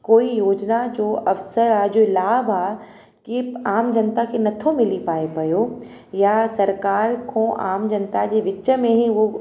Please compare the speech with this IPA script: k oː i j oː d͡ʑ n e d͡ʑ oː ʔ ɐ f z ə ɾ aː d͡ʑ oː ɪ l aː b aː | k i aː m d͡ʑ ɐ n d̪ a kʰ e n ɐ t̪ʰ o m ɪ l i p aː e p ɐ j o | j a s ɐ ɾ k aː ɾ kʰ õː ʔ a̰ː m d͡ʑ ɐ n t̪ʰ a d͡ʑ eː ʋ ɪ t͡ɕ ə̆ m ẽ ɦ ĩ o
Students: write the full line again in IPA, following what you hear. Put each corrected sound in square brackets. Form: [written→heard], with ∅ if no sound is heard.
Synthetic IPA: k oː i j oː d͡ʑ n [e→a] d͡ʑ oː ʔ ɐ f [z→s] ə ɾ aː d͡ʑ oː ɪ l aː b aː | k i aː m d͡ʑ ɐ n [d̪→t̪] a kʰ e n ɐ t̪ʰ o m ɪ l i p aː e p ɐ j o | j a s ɐ ɾ k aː ɾ kʰ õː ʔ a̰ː m d͡ʑ ɐ n [t̪ʰ→t̪] a d͡ʑ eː ʋ ɪ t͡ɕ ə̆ m ẽ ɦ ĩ o